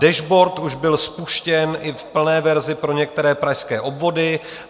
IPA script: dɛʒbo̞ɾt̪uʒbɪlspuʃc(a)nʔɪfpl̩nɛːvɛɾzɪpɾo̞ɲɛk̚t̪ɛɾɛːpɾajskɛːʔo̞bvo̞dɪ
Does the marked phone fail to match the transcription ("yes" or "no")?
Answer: yes